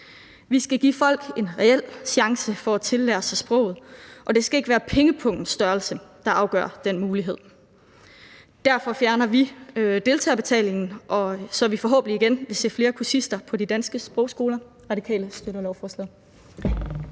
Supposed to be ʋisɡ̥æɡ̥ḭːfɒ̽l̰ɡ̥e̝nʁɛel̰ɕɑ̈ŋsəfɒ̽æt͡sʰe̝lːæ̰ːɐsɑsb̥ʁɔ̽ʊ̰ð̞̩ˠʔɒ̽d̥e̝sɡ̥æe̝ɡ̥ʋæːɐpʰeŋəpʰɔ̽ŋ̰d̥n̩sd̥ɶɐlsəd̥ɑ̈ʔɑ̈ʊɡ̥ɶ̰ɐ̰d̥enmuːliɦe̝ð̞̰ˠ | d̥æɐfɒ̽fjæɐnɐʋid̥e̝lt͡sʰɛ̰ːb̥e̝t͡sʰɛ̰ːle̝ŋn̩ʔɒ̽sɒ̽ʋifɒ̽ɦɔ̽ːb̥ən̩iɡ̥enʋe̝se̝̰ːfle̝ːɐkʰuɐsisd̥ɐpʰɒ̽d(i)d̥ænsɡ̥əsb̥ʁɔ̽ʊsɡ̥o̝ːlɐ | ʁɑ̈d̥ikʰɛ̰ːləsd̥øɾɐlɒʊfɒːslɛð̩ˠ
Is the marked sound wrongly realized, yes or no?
no